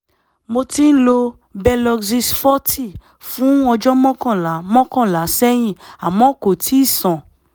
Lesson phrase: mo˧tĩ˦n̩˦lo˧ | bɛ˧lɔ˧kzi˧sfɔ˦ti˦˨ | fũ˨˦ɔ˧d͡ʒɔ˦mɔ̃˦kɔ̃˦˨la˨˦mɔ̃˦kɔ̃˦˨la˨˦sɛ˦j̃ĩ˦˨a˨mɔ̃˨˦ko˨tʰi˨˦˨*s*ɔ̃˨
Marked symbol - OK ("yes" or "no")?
yes